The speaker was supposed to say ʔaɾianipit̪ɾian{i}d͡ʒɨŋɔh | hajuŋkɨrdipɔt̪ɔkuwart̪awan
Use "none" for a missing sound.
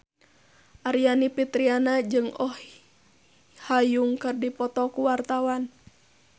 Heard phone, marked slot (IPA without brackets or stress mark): a